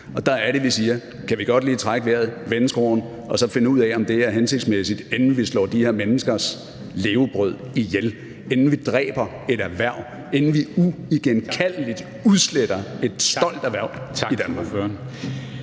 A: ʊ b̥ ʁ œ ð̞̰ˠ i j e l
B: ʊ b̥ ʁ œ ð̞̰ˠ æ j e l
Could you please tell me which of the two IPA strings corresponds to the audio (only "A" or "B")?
A